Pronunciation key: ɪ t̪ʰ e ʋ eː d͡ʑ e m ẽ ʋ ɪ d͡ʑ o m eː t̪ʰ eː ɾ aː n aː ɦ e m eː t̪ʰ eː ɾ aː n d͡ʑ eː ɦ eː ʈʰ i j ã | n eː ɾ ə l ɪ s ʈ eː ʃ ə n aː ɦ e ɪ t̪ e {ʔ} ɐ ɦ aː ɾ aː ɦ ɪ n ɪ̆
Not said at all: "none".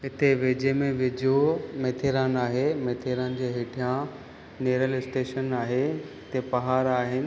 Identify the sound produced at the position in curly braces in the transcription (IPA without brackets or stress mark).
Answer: p